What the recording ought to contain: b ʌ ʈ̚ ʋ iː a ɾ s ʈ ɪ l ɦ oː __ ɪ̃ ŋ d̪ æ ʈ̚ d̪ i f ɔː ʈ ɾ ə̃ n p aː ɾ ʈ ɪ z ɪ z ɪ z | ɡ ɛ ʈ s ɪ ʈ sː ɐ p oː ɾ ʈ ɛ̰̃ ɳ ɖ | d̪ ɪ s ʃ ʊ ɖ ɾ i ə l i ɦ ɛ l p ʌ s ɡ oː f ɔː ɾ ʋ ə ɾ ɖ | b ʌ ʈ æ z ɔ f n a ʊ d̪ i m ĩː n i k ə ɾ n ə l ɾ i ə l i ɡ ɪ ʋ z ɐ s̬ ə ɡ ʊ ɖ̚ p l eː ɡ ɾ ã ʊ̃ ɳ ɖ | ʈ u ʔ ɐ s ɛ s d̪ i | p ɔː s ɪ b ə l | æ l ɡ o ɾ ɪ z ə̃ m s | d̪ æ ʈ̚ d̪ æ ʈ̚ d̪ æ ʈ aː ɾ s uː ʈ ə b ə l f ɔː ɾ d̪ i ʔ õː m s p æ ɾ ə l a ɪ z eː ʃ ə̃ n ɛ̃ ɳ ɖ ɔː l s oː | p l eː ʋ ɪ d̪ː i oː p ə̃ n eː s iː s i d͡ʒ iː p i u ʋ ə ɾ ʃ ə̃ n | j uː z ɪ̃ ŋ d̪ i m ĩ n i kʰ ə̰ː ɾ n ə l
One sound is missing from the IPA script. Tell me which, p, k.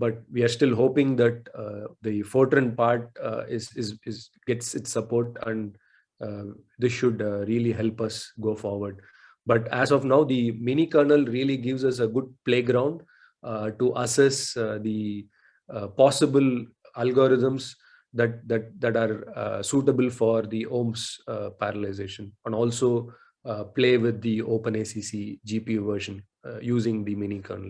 p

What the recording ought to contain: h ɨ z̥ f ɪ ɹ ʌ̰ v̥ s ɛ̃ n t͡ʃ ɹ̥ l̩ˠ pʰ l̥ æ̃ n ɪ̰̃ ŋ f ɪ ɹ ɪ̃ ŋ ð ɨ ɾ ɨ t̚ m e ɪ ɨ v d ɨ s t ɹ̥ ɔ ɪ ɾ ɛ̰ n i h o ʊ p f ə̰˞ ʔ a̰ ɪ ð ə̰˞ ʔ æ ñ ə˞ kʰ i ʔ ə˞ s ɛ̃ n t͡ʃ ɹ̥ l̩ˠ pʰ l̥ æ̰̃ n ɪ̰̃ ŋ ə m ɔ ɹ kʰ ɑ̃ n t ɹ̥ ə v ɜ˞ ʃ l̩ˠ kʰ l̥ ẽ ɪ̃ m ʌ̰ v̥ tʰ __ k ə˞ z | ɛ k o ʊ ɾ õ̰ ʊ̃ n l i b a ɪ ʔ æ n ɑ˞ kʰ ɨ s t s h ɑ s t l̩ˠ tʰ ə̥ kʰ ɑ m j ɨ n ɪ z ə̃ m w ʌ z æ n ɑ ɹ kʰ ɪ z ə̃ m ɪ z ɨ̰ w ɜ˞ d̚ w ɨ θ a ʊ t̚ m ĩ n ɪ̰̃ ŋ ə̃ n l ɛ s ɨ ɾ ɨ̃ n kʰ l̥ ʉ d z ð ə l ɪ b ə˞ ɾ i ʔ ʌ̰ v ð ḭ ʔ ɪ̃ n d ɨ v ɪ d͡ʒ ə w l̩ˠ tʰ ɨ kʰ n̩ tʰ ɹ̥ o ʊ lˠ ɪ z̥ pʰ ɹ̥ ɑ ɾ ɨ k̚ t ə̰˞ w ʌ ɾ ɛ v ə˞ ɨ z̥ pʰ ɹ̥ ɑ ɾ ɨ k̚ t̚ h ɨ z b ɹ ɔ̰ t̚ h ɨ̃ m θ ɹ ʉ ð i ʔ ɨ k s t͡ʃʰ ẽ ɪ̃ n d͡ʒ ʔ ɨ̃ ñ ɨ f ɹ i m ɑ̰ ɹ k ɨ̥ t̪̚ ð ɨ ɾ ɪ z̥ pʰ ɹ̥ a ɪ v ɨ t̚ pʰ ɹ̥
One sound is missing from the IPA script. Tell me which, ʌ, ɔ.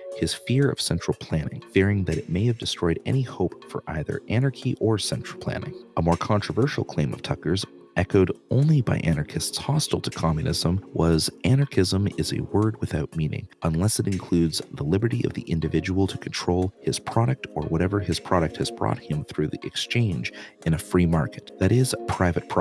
ʌ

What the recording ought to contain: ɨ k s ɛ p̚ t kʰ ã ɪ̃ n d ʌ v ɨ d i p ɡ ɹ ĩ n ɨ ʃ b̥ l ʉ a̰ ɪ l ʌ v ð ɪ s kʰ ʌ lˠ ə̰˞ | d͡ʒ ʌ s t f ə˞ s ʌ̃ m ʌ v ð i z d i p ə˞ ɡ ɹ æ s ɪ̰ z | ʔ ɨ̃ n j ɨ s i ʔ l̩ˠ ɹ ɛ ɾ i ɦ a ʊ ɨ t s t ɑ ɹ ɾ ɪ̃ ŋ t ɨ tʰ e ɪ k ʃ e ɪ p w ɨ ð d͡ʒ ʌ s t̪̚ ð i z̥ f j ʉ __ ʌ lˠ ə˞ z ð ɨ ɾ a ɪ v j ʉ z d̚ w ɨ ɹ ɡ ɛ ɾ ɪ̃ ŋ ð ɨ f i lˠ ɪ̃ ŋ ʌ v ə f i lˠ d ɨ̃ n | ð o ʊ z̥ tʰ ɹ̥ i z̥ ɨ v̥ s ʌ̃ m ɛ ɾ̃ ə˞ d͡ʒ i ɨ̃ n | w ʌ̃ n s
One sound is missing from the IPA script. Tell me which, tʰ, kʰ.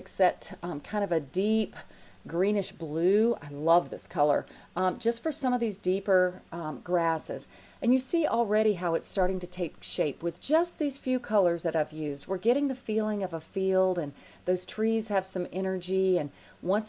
kʰ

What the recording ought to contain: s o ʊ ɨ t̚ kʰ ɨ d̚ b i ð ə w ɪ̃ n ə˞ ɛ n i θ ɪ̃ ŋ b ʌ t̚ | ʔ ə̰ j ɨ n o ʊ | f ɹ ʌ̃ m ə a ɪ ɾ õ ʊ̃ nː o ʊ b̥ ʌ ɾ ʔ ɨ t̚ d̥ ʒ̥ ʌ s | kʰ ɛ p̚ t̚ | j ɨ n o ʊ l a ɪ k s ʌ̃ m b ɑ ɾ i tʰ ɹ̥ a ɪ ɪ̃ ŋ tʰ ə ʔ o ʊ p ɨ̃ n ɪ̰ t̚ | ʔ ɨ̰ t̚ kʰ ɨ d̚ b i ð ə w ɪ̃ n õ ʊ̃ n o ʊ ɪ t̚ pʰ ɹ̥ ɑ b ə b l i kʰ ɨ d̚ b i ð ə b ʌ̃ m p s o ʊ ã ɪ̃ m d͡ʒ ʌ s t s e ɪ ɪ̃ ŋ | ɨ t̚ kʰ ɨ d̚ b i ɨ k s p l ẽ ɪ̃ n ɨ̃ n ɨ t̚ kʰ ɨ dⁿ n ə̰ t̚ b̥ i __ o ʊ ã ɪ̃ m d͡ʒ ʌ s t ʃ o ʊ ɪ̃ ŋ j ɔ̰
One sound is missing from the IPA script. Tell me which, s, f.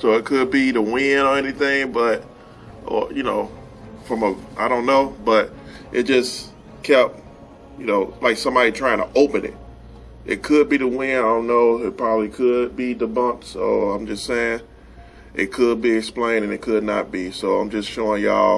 s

